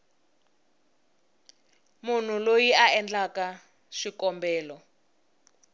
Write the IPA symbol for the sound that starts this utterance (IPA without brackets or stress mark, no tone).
m